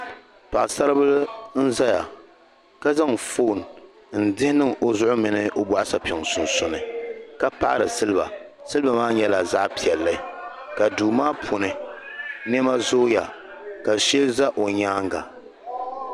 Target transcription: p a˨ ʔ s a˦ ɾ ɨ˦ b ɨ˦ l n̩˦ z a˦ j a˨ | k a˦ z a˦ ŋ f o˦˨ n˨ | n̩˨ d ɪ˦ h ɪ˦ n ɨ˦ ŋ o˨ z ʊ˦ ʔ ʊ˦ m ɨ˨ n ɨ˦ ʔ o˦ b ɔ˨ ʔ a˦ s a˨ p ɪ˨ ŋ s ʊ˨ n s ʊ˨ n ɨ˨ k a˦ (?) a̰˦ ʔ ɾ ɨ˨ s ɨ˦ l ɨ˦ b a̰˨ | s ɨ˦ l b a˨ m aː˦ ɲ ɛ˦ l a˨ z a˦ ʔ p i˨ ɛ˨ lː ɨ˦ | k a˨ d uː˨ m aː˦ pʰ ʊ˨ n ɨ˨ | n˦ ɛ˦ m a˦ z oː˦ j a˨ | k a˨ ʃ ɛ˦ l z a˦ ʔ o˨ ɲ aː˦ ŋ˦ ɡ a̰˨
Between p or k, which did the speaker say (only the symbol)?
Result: p